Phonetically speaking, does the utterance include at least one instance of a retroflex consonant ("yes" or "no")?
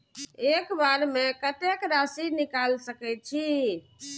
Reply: no